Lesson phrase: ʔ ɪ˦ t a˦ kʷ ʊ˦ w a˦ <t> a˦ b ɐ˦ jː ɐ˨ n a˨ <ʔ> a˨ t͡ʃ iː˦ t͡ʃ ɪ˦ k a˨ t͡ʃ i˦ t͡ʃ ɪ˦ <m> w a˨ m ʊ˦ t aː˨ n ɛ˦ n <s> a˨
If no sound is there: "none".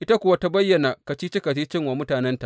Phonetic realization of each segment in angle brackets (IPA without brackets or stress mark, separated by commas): t, k, ŋ, t